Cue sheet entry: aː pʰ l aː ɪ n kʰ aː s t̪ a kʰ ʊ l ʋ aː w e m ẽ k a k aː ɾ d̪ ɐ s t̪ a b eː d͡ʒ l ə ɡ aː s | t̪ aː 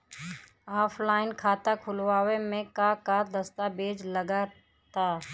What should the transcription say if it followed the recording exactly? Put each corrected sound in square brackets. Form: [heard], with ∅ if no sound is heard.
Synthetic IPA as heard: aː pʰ l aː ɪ n kʰ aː [∅] t̪ a kʰ ʊ l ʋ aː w e m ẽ k a k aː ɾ d̪ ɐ s t̪ a b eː d͡ʒ l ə ɡ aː [∅] | t̪ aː

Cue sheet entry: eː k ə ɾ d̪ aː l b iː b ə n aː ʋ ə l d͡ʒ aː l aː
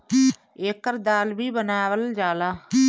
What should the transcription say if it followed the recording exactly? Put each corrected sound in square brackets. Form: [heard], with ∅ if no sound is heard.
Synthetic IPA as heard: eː k ə ɾ d̪ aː l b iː b ə n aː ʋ ə l d͡ʒ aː l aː

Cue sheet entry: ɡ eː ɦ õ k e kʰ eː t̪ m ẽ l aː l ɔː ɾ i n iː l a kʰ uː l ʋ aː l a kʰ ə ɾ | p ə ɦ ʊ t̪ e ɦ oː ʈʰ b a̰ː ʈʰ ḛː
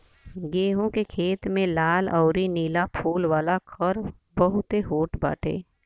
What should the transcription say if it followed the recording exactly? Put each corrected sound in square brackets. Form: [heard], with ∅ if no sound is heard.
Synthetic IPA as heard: ɡ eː ɦ õ k e kʰ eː t̪ m ẽ l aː l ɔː ɾ i n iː l a [pʰ] uː l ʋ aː l a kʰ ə ɾ | [b] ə ɦ ʊ t̪ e ɦ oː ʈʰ b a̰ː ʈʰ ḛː

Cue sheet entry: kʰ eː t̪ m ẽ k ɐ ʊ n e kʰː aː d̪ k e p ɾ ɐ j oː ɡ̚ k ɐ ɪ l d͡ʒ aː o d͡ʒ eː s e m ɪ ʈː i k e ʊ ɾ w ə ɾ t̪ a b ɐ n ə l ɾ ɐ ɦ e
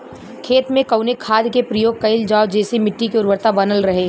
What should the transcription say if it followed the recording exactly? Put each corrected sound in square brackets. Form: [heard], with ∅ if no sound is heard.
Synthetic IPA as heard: kʰ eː t̪ m ẽ k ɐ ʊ n e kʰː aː d̪ k e p ɾ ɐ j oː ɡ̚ k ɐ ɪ l d͡ʒ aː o d͡ʒ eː s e m ɪ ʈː i k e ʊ ɾ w ə ɾ t̪ a b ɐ n ə l ɾ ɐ ɦ e

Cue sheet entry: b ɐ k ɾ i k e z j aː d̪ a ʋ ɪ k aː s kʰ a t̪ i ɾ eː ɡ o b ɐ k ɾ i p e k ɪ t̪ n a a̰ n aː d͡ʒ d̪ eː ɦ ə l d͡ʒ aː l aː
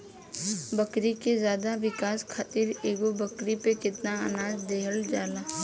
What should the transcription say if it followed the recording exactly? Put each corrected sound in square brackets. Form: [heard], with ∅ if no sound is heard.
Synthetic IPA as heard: b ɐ k ɾ i k e z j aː d̪ a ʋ ɪ k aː s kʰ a t̪ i ɾ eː ɡ o b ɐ k ɾ i p e k ɪ t̪ n a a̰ n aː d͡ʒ d̪ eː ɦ ə l d͡ʒ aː l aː

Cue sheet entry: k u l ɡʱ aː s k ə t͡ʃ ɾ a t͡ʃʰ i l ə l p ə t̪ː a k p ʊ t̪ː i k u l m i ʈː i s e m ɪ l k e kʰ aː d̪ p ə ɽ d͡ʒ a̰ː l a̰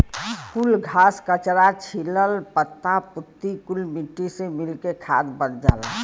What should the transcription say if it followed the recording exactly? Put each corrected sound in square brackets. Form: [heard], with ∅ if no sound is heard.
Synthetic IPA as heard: k u l ɡʱ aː s k ə t͡ʃ ɾ a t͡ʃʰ i l ə l p ə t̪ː a [∅] p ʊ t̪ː i k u l m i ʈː i s e m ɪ l k e kʰ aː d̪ [b] ə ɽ d͡ʒ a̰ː l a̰

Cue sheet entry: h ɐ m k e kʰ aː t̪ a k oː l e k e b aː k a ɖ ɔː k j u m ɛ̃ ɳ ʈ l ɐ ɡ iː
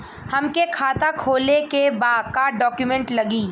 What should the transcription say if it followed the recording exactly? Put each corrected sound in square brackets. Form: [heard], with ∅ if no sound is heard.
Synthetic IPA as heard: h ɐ m k e kʰ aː t̪ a [kʰ] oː l e k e b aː k a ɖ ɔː k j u m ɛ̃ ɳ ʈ l ɐ ɡ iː

